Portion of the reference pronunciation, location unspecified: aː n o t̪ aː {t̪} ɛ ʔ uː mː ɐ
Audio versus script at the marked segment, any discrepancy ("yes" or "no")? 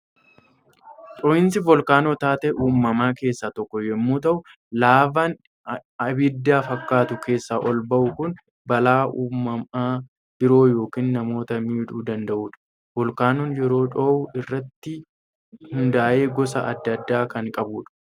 no